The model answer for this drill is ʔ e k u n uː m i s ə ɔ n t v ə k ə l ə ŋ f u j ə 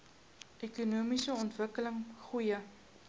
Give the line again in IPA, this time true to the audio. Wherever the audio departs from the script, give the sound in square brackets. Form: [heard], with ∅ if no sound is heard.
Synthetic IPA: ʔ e k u n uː m i s ə ɔ n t v ə k ə l ə ŋ [χ] u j ə